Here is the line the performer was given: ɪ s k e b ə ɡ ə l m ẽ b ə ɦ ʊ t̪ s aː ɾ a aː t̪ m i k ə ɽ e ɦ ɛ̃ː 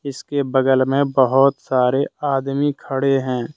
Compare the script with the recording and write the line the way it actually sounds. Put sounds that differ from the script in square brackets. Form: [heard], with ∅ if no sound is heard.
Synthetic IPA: ɪ s k e b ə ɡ ə l m ẽ b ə ɦ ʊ t̪ s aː ɾ [e] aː [d̪] m i [kʰ] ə ɽ e ɦ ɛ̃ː